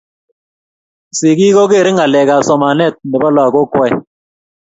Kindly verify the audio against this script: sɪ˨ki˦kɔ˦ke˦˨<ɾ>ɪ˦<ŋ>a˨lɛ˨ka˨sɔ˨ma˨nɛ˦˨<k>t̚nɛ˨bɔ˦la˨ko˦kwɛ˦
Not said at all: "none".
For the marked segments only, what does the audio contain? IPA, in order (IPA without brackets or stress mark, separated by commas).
ɾ, ŋ, none